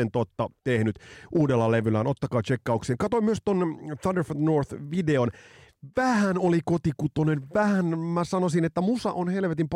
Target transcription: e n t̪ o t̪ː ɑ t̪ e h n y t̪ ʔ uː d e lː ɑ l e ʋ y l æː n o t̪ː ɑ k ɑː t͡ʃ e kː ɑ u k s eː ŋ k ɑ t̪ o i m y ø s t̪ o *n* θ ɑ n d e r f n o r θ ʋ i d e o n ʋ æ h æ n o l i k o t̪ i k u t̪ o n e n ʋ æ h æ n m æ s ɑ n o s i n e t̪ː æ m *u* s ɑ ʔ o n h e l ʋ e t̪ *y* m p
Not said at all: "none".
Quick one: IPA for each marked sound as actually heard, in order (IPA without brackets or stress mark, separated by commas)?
n, u, i